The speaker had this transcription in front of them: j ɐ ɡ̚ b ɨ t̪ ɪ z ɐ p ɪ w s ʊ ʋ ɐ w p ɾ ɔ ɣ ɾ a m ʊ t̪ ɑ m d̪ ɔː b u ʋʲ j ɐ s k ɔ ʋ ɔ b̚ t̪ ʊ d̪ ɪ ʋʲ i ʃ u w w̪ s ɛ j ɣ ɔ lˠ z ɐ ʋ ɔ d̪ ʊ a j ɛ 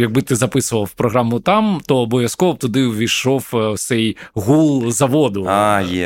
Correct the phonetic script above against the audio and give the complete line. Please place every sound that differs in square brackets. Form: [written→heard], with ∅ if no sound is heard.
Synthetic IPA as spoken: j ɐ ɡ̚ b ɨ t̪ ɪ z ɐ p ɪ [w→∅] s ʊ ʋ ɐ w p ɾ ɔ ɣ ɾ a m ʊ t̪ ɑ m [d̪→t̪] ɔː b [u→ɔ] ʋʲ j ɐ s k ɔ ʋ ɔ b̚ t̪ ʊ d̪ ɪ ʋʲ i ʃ [u→ɔ] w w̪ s ɛ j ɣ [ɔ→u] lˠ z ɐ ʋ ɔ d̪ ʊ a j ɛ